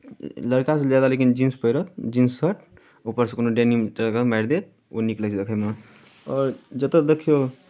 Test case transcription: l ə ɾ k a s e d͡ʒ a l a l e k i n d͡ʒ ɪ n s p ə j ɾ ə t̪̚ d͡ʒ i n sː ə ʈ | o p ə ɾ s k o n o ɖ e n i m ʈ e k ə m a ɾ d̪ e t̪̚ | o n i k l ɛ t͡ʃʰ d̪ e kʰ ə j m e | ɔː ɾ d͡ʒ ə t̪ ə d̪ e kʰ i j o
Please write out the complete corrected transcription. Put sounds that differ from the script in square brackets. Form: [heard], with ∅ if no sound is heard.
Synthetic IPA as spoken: l ə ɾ k a s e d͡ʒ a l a l e k i n d͡ʒ [i] n s p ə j ɾ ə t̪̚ d͡ʒ i n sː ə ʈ | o p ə ɾ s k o n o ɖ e n i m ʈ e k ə m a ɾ d̪ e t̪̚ | o n i k l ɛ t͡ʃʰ d̪ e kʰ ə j m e | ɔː ɾ d͡ʒ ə t̪ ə d̪ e kʰ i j o